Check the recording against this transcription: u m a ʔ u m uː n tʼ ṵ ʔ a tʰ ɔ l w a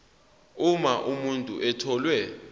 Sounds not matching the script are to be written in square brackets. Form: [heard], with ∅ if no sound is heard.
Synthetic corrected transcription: u m a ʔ u m [u] n tʼ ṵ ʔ [ɛ] tʰ ɔ l w [ɛ]